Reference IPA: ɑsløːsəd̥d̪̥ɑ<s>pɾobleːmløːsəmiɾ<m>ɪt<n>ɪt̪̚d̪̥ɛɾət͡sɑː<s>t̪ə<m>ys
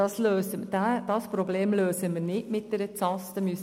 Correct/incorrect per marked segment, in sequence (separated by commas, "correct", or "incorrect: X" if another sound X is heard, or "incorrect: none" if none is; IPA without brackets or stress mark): correct, incorrect: n, incorrect: m, correct, correct